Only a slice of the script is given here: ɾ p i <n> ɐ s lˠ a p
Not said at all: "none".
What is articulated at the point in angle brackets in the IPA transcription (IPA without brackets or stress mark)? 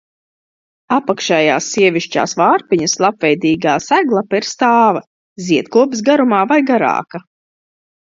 ɲ